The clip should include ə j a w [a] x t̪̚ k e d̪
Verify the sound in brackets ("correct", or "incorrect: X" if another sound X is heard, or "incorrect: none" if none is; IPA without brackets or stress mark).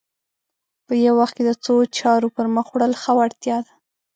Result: correct